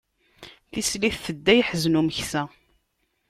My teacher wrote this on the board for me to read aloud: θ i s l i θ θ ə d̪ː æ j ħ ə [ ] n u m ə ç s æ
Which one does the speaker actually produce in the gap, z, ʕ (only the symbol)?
z